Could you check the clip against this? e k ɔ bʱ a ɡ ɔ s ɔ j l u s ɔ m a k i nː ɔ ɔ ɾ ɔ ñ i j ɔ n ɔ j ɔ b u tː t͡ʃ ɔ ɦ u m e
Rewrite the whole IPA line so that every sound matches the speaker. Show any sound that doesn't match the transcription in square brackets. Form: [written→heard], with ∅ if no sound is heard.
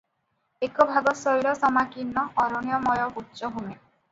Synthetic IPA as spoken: e k ɔ bʱ a ɡ ɔ s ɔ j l [u→ɔ] s ɔ m a k i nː ɔ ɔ ɾ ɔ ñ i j ɔ [n→m] ɔ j ɔ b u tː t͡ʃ ɔ ɦ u m e

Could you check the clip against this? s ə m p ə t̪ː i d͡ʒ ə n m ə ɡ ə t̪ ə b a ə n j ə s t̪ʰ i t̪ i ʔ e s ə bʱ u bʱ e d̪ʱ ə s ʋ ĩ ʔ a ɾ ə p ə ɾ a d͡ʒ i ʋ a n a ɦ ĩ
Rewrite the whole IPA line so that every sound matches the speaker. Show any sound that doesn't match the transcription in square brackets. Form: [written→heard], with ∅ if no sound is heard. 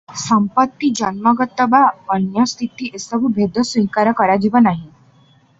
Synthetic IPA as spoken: s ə m p ə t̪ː i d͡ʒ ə n m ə ɡ ə t̪ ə b a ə n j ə s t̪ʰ i t̪ i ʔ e s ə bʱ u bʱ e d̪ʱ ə s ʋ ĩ [ʔ→k] a ɾ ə [p→k] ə ɾ a d͡ʒ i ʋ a n a ɦ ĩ

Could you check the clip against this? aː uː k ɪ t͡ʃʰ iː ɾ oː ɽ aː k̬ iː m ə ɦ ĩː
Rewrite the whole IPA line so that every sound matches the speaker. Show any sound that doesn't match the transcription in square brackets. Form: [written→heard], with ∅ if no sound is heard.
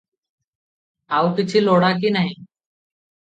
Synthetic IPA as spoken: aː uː k ɪ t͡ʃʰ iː [ɾ→l] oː ɽ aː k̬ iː [m→n] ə ɦ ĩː

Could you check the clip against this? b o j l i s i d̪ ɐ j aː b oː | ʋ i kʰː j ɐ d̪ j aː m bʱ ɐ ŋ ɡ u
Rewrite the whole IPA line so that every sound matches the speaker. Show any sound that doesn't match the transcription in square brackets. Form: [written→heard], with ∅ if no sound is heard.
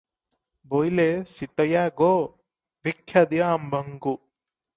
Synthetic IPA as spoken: b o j l [i→e] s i [d̪→t̪] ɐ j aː [b→ɡ] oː | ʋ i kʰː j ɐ d̪ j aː m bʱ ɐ ŋ ɡ u

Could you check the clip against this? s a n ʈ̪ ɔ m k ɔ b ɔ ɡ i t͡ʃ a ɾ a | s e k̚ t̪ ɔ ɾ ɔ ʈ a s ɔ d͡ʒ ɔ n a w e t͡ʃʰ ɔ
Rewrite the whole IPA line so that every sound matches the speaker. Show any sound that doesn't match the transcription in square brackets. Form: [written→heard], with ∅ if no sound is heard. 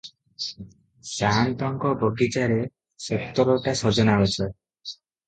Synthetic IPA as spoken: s a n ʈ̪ ɔ [m→ŋ] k ɔ b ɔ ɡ i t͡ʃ a ɾ [a→e] | s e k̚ t̪ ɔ ɾ ɔ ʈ a s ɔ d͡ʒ ɔ n a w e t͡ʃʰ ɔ

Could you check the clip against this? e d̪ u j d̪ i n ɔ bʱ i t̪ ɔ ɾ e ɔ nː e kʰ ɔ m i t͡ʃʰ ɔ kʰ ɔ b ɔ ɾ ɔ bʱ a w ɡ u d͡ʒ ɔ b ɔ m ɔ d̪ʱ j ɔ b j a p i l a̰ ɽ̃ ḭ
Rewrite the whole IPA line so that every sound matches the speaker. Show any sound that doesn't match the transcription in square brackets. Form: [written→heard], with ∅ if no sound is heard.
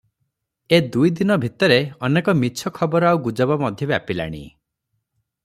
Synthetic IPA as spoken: e d̪ u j d̪ i n ɔ bʱ i t̪ ɔ ɾ e ɔ [nː→n] e [kʰ→k] ɔ m i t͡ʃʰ ɔ kʰ ɔ b ɔ ɾ ɔ [bʱ→∅] a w ɡ u d͡ʒ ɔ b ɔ m ɔ d̪ʱ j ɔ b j a p i l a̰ ɽ̃ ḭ

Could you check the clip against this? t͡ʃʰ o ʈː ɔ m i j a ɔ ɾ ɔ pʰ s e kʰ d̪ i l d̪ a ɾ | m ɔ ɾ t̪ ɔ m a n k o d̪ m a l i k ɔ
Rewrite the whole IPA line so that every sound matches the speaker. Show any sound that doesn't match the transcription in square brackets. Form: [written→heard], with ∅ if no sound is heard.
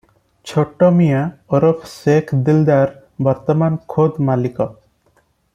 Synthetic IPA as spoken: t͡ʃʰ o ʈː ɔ m i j a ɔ ɾ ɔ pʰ s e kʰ d̪ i l d̪ a ɾ | [m→b] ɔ ɾ t̪ ɔ m a n [k→kʰ] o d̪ m a l i k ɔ

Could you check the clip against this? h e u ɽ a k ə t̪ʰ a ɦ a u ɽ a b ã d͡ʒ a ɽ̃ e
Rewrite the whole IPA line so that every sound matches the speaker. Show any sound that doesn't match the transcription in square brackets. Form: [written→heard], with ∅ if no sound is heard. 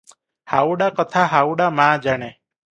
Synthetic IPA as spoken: h [e→a] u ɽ a k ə t̪ʰ a ɦ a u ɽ a [b→m] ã d͡ʒ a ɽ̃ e

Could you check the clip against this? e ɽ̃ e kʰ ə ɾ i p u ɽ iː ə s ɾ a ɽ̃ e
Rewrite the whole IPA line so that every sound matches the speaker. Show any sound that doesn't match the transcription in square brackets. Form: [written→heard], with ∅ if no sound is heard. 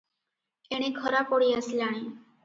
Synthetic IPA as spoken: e ɽ̃ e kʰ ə ɾ [i→a] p [u→o] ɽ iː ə s [ɾ→l] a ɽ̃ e

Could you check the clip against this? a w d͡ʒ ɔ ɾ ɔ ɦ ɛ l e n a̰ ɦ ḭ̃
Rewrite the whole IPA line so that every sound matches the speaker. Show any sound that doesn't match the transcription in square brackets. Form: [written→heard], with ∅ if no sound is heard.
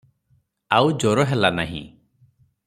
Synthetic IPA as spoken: a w d͡ʒ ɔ ɾ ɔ ɦ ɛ l [e→a] n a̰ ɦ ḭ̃

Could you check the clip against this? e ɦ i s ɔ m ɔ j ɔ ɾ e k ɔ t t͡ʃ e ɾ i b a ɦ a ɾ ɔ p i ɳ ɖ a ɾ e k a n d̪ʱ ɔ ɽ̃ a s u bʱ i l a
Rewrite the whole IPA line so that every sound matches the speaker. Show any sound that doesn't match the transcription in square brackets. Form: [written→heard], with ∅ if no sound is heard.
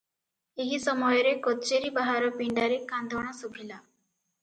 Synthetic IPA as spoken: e ɦ i s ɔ m ɔ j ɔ ɾ e k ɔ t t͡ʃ e ɾ i b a ɦ a ɾ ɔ p i ɳ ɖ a ɾ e k a n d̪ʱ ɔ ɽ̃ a s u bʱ i l a

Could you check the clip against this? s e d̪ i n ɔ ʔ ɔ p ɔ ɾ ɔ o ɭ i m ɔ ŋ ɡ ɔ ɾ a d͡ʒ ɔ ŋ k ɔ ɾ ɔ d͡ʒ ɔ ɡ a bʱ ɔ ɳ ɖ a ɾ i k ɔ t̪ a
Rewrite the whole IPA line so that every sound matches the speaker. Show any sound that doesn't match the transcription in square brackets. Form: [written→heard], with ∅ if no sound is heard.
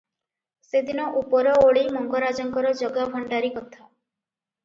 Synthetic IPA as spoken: s e d̪ i n ɔ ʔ [ɔ→u] p ɔ ɾ ɔ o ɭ i m ɔ ŋ ɡ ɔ ɾ a d͡ʒ ɔ ŋ k ɔ ɾ ɔ d͡ʒ ɔ ɡ a bʱ ɔ ɳ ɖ a ɾ i k ɔ [t̪→t̪ʰ] a

